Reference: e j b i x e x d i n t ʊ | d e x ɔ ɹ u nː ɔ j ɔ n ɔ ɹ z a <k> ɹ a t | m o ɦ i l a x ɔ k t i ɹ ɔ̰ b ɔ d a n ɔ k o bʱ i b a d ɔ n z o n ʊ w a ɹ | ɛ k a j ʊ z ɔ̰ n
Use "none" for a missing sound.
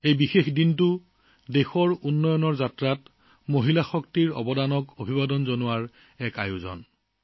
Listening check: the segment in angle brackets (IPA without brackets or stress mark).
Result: t